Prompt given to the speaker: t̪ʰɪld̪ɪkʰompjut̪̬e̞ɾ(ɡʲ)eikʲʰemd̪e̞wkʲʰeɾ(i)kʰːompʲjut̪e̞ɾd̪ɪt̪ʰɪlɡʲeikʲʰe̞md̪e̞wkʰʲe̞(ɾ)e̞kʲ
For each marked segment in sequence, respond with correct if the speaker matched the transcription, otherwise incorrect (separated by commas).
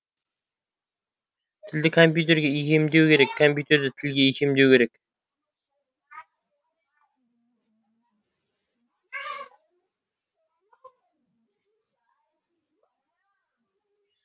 correct, incorrect, correct